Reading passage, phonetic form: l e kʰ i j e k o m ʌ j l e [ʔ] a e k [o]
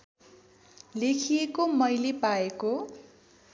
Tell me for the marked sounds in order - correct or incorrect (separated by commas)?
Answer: incorrect, correct